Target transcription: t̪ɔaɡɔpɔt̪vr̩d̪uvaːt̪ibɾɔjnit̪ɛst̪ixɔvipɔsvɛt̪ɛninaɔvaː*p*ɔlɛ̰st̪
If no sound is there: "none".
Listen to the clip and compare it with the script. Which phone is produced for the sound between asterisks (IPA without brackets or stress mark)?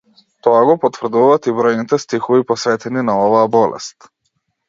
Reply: b